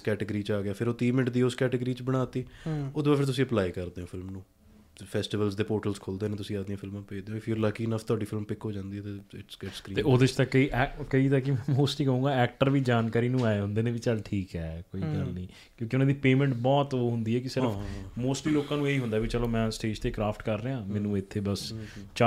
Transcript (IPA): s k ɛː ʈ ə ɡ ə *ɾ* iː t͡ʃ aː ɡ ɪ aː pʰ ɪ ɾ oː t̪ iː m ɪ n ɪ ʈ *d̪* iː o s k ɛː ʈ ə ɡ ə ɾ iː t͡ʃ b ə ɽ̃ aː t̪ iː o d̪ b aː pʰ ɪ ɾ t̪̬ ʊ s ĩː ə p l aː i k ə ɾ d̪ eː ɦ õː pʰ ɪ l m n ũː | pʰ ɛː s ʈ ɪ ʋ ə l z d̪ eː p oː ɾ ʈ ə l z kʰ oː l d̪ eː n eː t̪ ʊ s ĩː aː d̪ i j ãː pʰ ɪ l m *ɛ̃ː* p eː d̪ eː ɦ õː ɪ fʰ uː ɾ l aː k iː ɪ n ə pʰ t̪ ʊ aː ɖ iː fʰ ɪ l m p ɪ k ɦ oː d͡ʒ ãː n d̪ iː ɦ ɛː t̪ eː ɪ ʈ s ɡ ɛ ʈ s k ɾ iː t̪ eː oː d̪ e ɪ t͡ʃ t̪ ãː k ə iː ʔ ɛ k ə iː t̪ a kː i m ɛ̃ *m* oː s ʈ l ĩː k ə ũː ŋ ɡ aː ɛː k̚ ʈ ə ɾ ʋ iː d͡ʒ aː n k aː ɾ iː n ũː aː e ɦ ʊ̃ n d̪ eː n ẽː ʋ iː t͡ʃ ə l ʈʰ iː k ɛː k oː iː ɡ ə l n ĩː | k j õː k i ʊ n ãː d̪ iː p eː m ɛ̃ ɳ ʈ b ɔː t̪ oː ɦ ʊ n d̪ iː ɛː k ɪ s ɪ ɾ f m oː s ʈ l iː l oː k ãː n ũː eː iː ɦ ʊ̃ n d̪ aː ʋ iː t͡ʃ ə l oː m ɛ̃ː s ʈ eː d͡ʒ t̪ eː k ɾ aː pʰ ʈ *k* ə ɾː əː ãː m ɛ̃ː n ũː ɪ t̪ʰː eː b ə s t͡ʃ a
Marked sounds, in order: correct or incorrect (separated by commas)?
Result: correct, correct, incorrect, correct, correct